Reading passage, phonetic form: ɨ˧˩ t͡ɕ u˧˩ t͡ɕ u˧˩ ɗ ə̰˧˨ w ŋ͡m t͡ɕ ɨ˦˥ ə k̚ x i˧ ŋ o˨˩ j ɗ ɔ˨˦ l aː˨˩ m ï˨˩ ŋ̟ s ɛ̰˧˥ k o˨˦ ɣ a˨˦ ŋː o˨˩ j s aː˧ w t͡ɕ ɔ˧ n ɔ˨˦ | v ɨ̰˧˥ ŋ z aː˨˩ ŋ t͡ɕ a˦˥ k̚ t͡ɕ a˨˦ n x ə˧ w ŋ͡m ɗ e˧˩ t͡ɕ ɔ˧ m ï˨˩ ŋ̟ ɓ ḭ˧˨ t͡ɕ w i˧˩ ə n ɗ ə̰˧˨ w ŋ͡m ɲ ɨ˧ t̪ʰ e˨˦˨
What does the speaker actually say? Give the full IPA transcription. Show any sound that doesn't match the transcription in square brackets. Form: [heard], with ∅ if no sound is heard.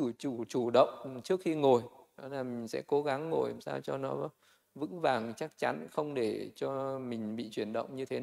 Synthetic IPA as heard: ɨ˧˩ t͡ɕ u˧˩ t͡ɕ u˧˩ ɗ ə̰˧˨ w ŋ͡m t͡ɕ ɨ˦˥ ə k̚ x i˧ ŋ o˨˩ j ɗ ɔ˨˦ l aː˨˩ m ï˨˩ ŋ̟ s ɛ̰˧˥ k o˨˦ ɣ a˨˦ ŋː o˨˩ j s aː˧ w t͡ɕ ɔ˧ n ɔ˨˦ | v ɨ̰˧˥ ŋ [v] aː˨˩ ŋ t͡ɕ a˦˥ k̚ t͡ɕ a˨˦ n x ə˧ w ŋ͡m ɗ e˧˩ t͡ɕ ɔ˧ m ï˨˩ ŋ̟ ɓ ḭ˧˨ t͡ɕ w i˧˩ ə n ɗ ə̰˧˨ w ŋ͡m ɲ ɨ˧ t̪ʰ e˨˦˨